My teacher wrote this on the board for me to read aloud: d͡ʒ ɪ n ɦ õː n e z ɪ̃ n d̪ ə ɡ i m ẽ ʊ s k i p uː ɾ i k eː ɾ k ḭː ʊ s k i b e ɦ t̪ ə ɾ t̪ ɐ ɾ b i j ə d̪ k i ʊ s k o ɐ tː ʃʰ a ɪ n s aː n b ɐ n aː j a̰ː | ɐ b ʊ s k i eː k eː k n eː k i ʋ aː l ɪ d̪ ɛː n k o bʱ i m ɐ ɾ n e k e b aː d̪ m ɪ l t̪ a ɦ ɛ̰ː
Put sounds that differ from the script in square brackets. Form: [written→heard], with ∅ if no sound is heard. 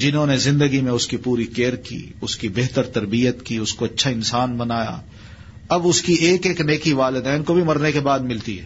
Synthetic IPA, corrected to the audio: d͡ʒ ɪ n ɦ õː n e z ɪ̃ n d̪ ə ɡ i m ẽ ʊ s k i p uː ɾ i k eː ɾ k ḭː ʊ s k i b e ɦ t̪ ə ɾ t̪ ɐ ɾ b i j ə [d̪→t̪] k i ʊ s k o ɐ tː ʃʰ a ɪ n s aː n b ɐ n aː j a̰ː | ɐ b ʊ s k i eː k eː k n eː k i ʋ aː l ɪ d̪ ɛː n k o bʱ i m ɐ ɾ n e k e b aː d̪ m ɪ l t̪ [a→i] ɦ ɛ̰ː